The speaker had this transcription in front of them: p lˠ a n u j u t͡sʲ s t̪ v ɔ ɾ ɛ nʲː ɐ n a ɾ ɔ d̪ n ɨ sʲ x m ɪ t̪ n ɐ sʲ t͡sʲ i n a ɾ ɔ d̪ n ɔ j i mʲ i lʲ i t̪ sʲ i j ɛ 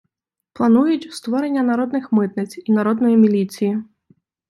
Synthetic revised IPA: p lˠ a n u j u t͡sʲ s t̪ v ɔ ɾ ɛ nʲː ɐ n a ɾ ɔ d̪ n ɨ x m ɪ t̪ n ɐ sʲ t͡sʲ i n a ɾ ɔ d̪ n ɔ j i mʲ i lʲ i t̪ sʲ i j i